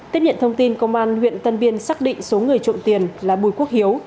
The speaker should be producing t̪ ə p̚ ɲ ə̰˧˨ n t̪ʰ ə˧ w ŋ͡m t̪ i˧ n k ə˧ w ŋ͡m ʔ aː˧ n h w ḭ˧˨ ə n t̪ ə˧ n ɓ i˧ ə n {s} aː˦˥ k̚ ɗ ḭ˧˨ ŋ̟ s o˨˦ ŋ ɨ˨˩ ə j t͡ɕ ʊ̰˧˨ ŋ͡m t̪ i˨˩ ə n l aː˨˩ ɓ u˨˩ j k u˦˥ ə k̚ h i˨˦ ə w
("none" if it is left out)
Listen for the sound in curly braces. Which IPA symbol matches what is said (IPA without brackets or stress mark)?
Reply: s